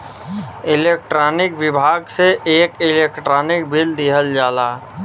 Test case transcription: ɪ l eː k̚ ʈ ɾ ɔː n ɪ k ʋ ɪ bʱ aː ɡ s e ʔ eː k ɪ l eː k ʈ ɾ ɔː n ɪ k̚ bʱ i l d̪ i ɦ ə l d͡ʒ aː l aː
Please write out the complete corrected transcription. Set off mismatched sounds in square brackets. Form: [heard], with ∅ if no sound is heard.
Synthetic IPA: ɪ l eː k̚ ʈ ɾ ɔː n ɪ k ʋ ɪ bʱ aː ɡ s e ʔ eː k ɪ l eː k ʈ ɾ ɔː n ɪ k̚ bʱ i l d̪ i ɦ ə l d͡ʒ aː l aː